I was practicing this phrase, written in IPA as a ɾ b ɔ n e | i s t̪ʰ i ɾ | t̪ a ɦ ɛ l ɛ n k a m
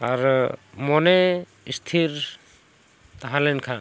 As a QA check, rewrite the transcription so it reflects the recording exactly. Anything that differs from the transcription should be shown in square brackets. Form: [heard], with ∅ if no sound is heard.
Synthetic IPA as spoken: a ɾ [m] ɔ n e | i s t̪ʰ i ɾ | t̪ a ɦ [a] l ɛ n [kʰ] a [n]